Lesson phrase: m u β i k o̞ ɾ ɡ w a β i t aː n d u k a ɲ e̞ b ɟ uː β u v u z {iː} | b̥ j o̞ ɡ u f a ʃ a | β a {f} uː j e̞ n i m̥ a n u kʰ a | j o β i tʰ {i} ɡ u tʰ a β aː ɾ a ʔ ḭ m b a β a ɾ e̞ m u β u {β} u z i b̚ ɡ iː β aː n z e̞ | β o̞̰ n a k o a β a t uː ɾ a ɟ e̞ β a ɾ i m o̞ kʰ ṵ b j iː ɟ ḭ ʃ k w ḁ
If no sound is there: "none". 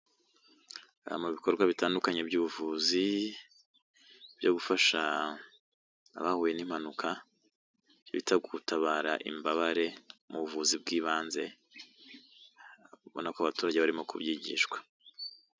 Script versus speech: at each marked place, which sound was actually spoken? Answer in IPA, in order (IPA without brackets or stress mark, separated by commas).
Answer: i, h, a, v